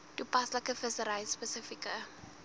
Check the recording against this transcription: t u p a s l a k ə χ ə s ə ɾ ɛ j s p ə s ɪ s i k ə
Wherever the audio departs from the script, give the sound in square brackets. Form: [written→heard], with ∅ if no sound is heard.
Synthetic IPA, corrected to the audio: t u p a s l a k ə [χ→f] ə s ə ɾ [ɛ→a] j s p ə s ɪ [s→f] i k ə